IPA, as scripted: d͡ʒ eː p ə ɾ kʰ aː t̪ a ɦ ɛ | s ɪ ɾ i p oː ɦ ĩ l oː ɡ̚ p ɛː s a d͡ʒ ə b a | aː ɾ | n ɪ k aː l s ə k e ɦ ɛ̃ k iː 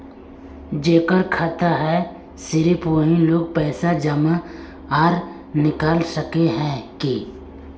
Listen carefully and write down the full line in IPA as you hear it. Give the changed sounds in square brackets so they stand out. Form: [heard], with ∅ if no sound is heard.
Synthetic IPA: d͡ʒ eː [k] ə ɾ kʰ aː t̪ a ɦ ɛ | s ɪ ɾ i p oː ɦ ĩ l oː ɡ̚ p ɛː s a d͡ʒ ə [m] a | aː ɾ | n ɪ k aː l s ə k e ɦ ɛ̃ k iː